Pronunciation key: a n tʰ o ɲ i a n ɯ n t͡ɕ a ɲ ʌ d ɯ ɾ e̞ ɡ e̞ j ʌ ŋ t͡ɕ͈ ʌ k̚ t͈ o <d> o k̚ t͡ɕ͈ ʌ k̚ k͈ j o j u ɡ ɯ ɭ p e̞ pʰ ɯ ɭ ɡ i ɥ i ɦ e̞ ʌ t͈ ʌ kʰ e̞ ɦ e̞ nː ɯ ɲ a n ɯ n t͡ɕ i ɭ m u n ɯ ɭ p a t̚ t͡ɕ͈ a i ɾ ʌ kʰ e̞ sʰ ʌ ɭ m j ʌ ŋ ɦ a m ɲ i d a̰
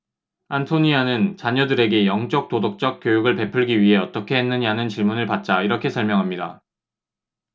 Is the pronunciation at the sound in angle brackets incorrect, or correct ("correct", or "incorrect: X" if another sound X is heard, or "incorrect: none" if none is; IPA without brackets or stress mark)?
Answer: correct